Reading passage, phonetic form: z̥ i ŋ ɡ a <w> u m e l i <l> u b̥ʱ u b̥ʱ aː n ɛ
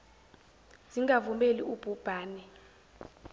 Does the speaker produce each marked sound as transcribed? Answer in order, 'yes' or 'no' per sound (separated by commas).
no, no